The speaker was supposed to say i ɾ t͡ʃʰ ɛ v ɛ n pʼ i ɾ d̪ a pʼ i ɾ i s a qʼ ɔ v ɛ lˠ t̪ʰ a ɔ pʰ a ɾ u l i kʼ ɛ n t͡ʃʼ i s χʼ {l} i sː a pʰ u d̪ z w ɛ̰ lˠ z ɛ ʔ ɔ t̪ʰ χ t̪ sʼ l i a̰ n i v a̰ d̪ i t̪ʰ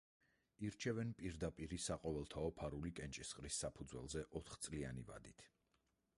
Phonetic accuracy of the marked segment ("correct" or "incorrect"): incorrect